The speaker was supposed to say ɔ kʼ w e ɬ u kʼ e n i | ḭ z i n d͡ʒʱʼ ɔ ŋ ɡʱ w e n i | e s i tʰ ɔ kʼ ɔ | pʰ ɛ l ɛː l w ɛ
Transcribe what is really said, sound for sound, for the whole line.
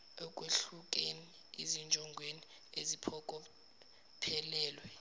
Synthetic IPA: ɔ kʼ w e ɬ u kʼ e n i | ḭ z i n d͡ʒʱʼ ɔ ŋ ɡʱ w e n i | e z i pʰ ɔ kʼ ɔ | pʰ ɛ l ɛː l w ɛ